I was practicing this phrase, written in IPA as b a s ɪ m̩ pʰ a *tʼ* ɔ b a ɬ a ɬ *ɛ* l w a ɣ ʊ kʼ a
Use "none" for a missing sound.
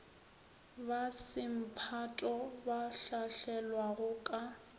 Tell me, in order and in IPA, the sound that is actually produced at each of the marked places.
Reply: tʼ, ɛ

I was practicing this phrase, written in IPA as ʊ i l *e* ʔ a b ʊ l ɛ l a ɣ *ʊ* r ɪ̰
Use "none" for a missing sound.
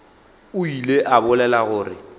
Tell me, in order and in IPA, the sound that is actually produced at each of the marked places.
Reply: e, ʊː

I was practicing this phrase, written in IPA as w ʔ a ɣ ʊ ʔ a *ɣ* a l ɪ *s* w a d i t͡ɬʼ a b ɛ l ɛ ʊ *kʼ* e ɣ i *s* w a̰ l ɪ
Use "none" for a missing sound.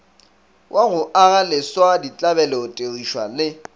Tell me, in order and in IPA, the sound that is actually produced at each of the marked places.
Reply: ɣ, s, tʼ, ʃ

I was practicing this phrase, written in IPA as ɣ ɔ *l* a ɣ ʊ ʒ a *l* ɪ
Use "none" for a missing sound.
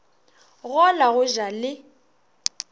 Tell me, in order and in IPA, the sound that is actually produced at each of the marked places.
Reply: l, l

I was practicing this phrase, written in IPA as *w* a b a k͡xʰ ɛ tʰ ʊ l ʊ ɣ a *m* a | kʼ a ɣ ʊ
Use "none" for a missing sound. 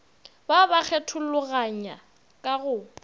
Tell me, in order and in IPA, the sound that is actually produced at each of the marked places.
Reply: b, ɲ

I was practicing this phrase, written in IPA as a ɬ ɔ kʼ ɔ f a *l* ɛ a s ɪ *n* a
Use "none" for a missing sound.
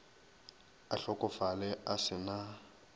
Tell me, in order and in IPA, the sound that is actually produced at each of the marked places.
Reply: l, n

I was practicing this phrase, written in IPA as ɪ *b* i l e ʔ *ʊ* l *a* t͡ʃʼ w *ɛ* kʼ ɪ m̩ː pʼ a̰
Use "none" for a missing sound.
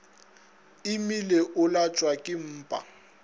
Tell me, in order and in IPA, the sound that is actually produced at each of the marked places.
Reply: m, ʊ, a, a

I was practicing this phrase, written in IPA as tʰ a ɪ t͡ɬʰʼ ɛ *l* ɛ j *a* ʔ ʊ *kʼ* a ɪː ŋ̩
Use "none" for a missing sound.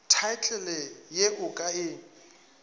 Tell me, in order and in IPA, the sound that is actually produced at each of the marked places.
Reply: l, e, kʼ

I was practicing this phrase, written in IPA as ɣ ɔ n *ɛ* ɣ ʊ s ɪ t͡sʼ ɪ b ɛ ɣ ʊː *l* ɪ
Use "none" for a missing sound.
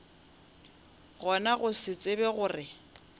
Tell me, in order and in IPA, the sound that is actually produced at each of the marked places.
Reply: a, r

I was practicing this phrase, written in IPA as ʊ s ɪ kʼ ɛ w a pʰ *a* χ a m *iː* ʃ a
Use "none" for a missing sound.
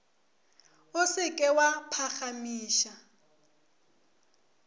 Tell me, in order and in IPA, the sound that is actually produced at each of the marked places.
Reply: a, iː

